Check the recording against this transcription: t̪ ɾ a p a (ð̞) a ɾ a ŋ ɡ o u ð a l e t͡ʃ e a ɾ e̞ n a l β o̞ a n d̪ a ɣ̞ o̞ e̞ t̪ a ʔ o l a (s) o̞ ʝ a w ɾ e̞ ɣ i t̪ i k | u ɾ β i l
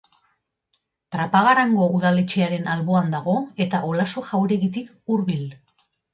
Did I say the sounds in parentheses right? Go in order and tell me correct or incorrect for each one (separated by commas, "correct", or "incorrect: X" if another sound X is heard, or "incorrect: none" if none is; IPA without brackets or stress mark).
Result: incorrect: ɣ̞, correct